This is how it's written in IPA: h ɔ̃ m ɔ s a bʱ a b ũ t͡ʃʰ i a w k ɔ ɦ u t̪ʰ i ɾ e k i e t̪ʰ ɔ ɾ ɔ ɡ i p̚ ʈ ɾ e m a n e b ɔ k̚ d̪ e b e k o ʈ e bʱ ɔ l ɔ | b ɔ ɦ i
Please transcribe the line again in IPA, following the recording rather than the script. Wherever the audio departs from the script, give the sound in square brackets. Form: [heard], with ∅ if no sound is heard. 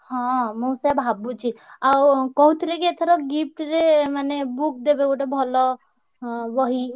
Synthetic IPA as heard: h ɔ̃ m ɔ s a bʱ a b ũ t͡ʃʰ i a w k ɔ ɦ u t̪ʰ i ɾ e k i e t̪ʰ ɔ ɾ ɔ ɡ i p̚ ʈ ɾ e m a n e b [u] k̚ d̪ e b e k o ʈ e bʱ ɔ l ɔ | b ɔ ɦ i